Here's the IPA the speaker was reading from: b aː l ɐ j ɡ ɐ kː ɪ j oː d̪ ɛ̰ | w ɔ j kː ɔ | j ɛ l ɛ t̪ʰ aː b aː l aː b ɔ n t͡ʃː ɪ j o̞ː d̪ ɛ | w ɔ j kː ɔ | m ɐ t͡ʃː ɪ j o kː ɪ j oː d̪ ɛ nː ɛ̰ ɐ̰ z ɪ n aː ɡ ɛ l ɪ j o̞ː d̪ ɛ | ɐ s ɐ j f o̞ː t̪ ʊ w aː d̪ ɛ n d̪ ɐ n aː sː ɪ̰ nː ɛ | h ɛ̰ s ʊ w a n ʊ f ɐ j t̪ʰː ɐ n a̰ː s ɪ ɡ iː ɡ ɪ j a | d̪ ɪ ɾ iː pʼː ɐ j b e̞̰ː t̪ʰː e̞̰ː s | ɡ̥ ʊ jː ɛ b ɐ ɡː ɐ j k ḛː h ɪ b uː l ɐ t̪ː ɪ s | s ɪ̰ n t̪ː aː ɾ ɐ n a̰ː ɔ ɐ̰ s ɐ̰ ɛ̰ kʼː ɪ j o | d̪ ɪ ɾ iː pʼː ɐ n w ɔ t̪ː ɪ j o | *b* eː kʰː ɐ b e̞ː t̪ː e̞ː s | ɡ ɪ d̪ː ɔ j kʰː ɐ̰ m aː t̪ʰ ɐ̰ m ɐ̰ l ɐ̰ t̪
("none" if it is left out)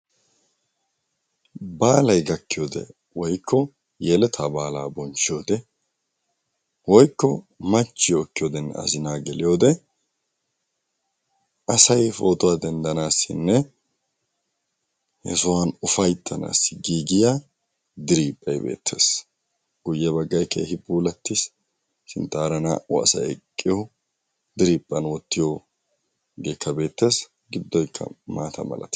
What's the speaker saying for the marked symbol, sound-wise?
ɡ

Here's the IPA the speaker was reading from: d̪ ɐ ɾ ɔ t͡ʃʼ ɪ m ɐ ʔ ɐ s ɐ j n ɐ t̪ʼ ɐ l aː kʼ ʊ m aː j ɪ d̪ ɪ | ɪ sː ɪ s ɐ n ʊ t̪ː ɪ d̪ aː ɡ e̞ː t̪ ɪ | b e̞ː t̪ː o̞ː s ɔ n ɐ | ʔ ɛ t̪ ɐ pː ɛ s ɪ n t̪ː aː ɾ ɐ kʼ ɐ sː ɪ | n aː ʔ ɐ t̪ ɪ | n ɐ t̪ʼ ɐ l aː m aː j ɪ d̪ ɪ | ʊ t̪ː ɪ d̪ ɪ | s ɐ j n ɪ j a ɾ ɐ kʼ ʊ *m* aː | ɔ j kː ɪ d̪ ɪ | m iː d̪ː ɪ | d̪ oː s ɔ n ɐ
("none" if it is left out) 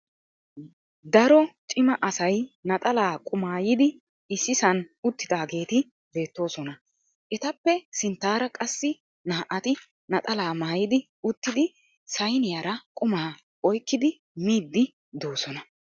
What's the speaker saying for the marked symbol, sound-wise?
m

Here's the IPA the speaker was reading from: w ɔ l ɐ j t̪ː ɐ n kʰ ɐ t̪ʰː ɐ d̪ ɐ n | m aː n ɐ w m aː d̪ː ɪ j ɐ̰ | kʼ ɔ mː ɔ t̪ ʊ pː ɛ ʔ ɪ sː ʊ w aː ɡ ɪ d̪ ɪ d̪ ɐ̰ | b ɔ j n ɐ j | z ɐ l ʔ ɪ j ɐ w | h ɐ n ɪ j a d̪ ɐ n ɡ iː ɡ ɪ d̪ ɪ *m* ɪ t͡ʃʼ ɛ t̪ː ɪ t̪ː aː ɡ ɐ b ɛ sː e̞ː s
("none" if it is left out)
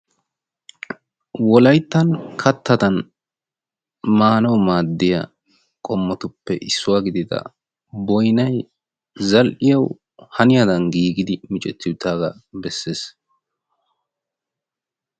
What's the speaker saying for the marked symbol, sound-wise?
m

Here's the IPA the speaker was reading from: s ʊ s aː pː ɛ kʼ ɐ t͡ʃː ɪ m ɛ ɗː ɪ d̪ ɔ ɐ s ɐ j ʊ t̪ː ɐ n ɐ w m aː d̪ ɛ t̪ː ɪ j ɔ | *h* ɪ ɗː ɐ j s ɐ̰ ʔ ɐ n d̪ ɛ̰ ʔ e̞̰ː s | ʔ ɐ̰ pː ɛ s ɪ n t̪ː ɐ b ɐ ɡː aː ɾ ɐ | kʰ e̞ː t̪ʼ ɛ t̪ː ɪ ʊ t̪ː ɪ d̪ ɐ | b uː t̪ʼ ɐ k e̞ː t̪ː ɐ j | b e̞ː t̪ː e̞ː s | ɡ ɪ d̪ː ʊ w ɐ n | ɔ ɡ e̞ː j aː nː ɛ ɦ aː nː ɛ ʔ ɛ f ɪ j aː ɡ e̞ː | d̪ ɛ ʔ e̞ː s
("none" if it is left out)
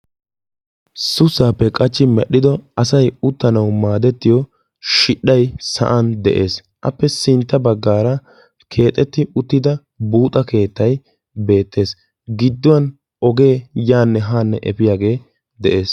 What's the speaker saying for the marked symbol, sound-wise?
ʃ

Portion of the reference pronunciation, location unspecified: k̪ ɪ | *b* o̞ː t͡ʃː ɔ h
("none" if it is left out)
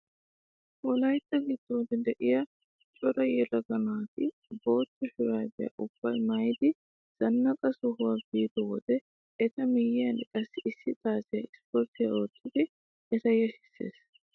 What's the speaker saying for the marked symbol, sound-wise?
b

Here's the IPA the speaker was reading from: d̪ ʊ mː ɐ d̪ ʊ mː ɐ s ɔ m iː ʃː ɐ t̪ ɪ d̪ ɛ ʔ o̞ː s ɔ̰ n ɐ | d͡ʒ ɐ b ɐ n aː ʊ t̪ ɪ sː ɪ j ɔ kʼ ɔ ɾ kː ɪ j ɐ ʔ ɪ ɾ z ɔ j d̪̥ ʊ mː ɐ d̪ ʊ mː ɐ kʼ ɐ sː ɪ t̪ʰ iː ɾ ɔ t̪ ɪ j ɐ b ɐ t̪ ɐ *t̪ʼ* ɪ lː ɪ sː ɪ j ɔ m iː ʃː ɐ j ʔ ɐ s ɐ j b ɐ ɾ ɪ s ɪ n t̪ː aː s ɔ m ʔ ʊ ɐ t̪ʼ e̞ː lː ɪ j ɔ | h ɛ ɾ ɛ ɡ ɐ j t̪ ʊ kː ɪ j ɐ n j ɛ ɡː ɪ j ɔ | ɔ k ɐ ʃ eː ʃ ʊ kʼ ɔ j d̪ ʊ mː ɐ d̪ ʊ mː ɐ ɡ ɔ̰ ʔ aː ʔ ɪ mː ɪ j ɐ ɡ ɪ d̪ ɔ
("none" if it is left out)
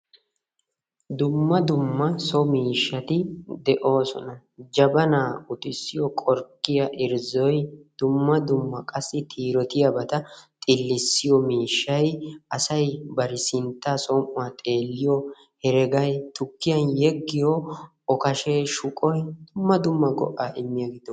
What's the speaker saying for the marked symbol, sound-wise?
t̪ʼ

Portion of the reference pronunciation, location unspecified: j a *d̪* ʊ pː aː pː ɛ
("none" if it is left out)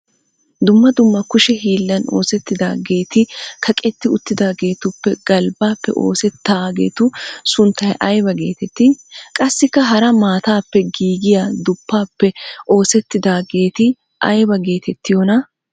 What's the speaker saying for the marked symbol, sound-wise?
d̪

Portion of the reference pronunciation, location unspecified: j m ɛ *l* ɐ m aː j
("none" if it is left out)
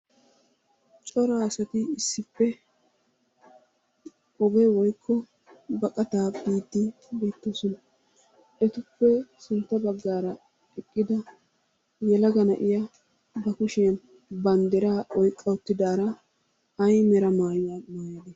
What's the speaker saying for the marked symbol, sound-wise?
ɾ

